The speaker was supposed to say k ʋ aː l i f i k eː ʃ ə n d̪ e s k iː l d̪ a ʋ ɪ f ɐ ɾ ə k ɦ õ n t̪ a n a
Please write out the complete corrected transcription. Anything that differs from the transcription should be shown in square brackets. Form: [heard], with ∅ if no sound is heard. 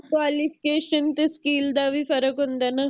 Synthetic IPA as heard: k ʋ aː l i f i k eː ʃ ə n [t̪] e s k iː l d̪ a ʋ [i] f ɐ ɾ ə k ɦ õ n [d̪] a n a